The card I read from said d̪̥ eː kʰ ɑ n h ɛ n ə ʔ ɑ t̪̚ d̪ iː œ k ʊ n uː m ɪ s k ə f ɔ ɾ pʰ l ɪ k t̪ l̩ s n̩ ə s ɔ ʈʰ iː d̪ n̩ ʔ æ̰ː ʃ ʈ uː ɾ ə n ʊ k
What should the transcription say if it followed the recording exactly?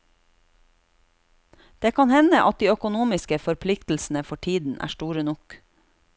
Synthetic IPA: d̪̥ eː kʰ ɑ n h ɛ n ə ʔ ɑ t̪̚ d̪ iː œ k ʊ n uː m ɪ s k ə f ɔ ɾ pʰ l ɪ k t̪ l̩ s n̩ ə f ɔ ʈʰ iː d̪ n̩ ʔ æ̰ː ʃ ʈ uː ɾ ə n ʊ k